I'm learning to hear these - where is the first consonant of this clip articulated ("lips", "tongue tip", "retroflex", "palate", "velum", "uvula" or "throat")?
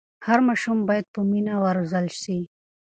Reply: throat